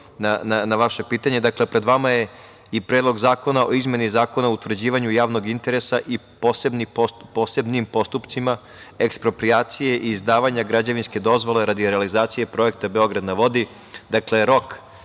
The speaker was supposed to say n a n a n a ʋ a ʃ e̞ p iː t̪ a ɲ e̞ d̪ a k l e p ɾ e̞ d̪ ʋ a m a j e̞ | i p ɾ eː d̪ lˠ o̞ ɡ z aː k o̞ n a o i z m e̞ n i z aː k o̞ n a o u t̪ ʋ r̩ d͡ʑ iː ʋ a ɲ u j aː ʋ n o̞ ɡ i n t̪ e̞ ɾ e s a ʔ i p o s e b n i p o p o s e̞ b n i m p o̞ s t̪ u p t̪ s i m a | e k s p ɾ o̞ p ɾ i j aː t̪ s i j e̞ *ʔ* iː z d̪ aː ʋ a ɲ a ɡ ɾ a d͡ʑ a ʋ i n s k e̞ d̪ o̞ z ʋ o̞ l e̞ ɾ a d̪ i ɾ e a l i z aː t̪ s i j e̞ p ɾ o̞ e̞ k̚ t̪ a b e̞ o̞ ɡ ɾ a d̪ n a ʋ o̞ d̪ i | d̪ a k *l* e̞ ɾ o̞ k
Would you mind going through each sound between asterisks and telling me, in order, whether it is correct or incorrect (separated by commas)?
correct, correct